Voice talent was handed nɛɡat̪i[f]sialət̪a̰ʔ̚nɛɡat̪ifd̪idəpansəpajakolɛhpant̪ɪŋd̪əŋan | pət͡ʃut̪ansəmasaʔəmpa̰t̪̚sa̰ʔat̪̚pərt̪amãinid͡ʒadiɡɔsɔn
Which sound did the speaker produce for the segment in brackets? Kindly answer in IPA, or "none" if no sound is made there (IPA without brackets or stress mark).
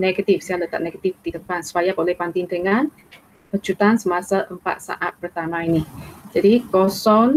f